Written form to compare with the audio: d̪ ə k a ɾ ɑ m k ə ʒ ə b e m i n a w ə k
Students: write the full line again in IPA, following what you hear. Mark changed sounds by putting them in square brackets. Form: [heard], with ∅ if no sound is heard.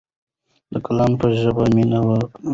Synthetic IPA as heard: d̪ ə k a [l] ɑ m [p] ə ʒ ə b [a] m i n a w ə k